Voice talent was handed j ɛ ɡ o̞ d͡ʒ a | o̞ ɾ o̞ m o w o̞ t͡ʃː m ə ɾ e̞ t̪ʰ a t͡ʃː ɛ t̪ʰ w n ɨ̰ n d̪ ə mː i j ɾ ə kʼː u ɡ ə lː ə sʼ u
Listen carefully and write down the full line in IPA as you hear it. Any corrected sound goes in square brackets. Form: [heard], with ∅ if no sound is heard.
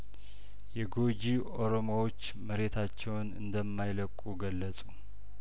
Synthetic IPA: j ɛ ɡ o̞ d͡ʒ [i] | o̞ ɾ o̞ m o w o̞ t͡ʃː m ə ɾ e̞ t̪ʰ a t͡ʃː ɛ [∅] w n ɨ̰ n d̪ ə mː [a] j [l] ə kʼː u ɡ ə lː ə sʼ u